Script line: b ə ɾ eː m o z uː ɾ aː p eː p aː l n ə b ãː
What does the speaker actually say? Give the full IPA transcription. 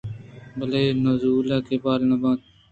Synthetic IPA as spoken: b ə l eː n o z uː l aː k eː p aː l n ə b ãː

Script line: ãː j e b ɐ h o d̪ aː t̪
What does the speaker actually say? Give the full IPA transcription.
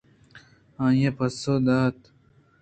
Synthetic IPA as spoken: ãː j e p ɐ s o d̪ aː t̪

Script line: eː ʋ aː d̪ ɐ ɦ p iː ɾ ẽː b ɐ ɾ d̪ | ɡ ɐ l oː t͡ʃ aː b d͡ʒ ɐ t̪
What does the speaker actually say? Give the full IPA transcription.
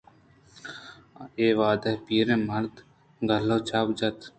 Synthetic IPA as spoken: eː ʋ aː d̪ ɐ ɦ p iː ɾ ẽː m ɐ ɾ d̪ | ɡ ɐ l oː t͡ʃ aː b d͡ʒ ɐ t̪

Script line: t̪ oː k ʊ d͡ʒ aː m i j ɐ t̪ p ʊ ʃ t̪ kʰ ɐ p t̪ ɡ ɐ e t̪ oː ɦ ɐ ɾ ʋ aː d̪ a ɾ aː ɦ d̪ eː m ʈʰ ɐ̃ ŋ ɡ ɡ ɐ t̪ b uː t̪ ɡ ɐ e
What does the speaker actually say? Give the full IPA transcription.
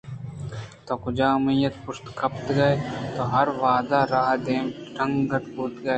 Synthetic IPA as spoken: t̪ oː k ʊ d͡ʒ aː m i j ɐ t̪ p ʊ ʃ t̪ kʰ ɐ p t̪ ɡ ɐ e t̪ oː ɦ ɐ ɾ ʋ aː d̪ a ɾ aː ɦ d̪ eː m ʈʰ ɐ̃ ŋ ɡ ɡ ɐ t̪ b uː t̪ ɡ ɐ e

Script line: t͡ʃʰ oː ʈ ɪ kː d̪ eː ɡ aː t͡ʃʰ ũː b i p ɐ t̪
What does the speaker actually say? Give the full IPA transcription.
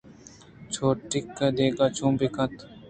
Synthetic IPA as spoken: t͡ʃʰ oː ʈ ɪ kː d̪ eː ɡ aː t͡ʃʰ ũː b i k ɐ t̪

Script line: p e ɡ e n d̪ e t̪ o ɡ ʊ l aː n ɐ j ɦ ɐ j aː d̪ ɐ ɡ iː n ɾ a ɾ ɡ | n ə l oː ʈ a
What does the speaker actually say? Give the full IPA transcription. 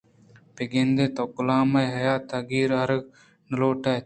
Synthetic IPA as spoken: p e ɡ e n d̪ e t̪ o k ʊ l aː m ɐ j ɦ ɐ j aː t̪ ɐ ɡ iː ɾ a ɾ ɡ | n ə l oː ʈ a

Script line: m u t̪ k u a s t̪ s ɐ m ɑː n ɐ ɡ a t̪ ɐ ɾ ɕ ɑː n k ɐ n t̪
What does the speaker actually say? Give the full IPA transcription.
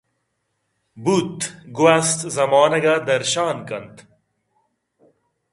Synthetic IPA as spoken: b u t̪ ɡ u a s t̪ z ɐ m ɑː n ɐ ɡ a d̪ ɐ ɾ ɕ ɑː n k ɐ n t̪

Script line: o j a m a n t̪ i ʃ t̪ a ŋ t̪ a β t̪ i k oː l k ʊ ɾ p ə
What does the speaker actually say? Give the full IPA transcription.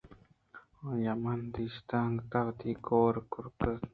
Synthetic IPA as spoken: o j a m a n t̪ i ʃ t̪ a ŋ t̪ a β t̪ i k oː ɾ k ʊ ɾ k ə

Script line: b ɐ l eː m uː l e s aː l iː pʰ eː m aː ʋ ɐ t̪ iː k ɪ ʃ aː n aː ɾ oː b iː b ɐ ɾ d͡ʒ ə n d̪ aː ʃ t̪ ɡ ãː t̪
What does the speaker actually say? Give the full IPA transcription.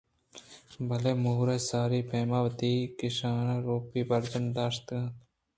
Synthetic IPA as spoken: b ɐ l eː m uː ɾ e s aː ɾ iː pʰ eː m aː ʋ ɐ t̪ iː k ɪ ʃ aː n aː ɾ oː p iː b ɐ ɾ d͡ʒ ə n d̪ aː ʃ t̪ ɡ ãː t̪

